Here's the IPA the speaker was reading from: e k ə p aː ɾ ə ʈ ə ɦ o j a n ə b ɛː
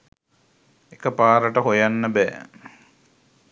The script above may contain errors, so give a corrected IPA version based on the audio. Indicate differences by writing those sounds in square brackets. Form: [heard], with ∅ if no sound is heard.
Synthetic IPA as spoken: e k ə p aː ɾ ə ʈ ə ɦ o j a [nː] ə b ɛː